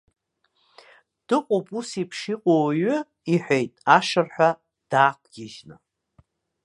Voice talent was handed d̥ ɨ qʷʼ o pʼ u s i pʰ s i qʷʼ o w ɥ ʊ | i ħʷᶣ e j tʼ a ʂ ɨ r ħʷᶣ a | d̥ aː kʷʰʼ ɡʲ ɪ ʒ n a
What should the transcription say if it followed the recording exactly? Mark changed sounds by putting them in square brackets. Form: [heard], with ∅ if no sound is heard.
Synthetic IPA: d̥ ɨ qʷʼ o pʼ u s i pʰ [ʂ] i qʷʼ o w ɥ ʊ | i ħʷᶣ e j tʼ a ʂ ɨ r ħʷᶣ a | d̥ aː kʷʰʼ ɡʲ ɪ ʒ n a